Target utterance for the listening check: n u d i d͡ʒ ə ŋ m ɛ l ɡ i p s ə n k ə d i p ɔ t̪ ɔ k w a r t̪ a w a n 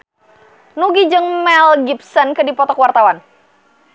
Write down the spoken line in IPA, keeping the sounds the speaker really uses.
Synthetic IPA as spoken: n u ɡ i d͡ʒ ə ŋ m ɛ l ɡ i p s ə n k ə d i p ɔ t̪ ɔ k w a r t̪ a w a n